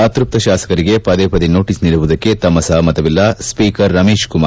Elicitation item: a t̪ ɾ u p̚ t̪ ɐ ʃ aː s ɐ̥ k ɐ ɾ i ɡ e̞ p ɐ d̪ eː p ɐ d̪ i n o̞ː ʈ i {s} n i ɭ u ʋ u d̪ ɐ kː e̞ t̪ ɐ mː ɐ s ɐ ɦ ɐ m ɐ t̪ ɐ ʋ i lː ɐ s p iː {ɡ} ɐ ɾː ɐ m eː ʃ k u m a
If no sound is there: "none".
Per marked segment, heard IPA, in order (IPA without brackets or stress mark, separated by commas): s, k